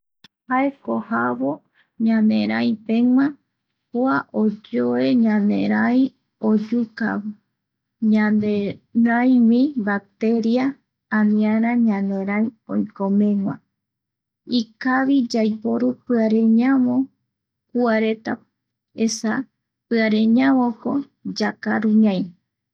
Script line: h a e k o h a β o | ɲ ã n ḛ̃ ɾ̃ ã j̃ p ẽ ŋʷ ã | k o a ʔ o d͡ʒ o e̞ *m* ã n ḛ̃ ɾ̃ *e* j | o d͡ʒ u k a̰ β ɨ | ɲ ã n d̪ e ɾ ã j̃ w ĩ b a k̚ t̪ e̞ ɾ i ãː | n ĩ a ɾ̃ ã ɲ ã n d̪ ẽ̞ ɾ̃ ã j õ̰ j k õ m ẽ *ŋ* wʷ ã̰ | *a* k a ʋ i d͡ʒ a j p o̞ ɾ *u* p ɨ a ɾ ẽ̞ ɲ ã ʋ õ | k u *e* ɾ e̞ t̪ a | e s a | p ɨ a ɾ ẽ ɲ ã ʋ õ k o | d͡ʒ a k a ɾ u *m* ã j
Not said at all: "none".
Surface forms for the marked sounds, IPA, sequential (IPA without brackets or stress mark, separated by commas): ɲ, a, ŋ, i, u, a, ɲ